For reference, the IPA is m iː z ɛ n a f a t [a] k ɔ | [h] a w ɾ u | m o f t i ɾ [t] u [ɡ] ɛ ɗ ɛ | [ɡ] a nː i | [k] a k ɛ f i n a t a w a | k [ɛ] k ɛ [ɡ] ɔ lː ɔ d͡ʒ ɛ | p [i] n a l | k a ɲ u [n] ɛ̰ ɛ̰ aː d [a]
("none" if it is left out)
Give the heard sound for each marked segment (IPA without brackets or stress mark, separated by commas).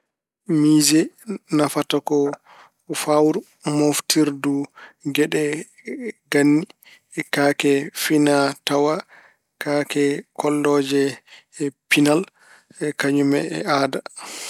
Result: a, f, d, ɡ, ɡ, k, a, k, i, m, a